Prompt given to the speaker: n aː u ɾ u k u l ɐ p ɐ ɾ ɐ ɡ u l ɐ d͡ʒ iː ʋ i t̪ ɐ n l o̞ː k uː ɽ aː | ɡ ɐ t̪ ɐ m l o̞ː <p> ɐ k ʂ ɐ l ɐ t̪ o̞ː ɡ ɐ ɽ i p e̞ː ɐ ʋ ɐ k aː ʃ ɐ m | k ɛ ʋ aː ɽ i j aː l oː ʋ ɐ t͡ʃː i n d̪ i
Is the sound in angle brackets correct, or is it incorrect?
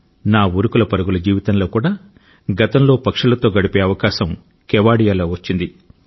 correct